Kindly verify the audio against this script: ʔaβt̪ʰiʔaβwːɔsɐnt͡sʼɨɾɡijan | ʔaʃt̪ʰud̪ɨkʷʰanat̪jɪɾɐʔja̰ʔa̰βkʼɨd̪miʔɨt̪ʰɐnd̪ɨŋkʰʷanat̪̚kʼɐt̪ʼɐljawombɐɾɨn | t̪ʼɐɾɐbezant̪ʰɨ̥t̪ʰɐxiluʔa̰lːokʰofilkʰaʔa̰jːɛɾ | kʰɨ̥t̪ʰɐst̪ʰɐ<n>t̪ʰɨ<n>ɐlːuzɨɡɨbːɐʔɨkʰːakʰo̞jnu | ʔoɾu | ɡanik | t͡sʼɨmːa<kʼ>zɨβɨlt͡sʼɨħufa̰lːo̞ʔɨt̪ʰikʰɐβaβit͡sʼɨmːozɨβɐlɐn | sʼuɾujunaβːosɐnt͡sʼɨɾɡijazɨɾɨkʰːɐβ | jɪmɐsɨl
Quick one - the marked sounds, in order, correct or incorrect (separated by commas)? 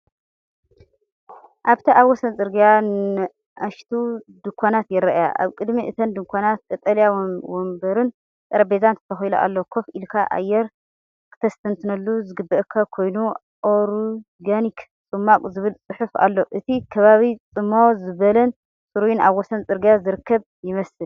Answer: correct, correct, correct